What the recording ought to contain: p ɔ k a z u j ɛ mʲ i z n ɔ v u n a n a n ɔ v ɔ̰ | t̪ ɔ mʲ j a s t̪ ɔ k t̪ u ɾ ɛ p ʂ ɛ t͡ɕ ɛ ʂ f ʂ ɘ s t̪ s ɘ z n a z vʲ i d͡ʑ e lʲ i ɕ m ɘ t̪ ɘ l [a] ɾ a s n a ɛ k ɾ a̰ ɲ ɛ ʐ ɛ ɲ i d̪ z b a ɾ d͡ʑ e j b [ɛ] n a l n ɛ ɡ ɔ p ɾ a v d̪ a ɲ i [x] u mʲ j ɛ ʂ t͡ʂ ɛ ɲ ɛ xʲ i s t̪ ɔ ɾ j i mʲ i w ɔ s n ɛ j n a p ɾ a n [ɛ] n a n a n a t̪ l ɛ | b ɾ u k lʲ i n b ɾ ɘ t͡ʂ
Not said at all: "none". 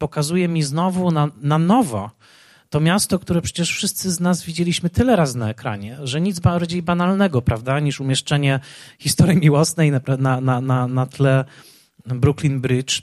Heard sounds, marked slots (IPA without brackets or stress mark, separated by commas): ɛ, a, ʂ, a